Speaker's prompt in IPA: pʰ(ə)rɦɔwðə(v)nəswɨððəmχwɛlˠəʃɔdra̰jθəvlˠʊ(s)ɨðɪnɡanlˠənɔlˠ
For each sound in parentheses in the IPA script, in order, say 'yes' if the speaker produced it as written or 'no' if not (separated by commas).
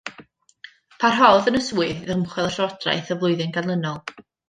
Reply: no, no, no